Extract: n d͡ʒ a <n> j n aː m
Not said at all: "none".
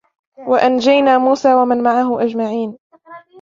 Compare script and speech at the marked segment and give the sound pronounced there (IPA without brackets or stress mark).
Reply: none